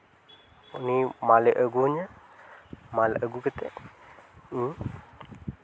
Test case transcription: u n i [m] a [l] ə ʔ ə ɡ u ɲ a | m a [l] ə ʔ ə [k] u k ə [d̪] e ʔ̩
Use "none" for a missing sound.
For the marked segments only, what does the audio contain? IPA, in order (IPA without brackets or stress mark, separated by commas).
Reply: m, l, l, ɡ, t̪